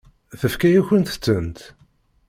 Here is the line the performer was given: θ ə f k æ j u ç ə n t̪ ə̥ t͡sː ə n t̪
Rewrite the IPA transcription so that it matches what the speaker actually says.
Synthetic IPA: θ ə f k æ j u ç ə n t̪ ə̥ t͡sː ə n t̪